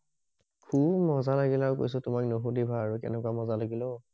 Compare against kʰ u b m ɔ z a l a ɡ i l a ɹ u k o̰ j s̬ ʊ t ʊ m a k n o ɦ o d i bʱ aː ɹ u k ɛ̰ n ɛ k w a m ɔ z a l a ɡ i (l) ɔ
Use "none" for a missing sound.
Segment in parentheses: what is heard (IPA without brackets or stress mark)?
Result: l